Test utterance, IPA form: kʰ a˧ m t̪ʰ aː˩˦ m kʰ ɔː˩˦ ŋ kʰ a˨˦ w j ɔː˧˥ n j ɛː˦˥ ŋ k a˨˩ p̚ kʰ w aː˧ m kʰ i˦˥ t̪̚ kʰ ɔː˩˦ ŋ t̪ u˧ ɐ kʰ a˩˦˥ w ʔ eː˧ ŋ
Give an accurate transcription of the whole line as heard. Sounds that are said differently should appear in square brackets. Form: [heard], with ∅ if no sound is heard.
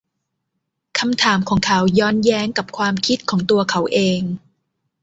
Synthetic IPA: kʰ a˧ m t̪ʰ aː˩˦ m kʰ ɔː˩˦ ŋ kʰ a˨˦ w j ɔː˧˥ n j ɛː˦˥ ŋ k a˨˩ p̚ kʰ w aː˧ m kʰ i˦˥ t̪̚ kʰ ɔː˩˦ ŋ t̪ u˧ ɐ kʰ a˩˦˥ w ʔ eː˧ ŋ